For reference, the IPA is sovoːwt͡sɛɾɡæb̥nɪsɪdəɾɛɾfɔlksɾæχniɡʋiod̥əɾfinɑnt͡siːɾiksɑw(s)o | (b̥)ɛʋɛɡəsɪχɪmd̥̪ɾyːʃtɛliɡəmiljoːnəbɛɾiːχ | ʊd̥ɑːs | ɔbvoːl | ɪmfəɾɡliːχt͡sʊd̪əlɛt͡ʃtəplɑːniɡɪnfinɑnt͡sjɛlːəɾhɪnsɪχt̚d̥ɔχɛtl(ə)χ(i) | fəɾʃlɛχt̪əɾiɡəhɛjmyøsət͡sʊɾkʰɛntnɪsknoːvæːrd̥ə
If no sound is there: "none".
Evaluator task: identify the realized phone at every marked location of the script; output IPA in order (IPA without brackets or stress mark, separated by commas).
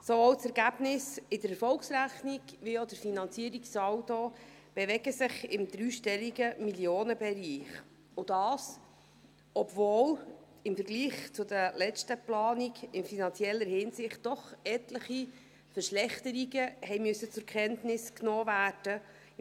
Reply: t, b̥, ə, i